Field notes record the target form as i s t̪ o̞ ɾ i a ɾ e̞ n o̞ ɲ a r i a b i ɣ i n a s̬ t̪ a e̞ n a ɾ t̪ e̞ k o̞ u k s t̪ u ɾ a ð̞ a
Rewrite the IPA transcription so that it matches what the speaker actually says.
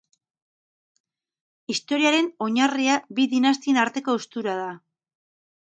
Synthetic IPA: i s t̪ o̞ ɾ i a ɾ e̞ n o̞ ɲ a r i a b i ð i n a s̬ t̪ i e̞ n a ɾ t̪ e̞ k o̞ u s t̪ u ɾ a ð̞ a